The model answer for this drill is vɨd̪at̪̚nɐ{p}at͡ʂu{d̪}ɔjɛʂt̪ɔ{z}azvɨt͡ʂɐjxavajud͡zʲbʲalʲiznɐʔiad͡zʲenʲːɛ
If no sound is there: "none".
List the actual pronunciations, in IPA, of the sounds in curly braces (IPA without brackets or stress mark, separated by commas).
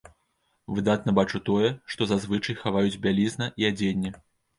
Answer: b, t̪, z